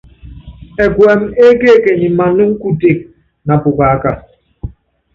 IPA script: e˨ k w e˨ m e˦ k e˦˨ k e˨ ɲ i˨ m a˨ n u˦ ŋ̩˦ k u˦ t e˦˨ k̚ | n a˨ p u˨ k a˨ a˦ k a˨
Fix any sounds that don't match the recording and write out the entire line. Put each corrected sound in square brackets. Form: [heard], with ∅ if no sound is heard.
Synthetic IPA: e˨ k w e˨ m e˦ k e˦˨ k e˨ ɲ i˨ m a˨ n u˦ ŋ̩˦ k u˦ t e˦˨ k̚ | n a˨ p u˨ k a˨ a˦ k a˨